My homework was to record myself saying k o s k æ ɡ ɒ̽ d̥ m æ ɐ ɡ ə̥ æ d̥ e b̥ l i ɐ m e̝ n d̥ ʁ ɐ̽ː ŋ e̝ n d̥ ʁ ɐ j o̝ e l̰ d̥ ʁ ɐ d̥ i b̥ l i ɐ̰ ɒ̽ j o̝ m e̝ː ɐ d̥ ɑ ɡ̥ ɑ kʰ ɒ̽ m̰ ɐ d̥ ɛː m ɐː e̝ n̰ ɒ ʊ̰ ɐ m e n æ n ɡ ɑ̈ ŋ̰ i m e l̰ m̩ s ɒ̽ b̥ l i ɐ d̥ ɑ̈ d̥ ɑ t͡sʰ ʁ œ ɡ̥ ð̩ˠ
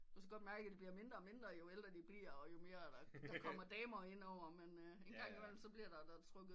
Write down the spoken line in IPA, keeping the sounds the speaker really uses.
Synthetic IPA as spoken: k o s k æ ɡ ɒ̽ d̥ m æ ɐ ɡ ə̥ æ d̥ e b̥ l i ɐ m e̝ n d̥ ʁ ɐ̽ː m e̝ n d̥ ʁ ɐ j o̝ e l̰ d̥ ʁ ɐ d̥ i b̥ l i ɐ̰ ɒ̽ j o̝ m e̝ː ɐ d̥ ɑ d̥ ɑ kʰ ɒ̽ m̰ ɐ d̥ ɛː m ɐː e̝ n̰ ɒ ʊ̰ ɐ m e n e n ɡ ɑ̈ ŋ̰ i m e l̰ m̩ s ɒ̽ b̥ l i ɐ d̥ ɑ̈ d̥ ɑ t͡sʰ ʁ œ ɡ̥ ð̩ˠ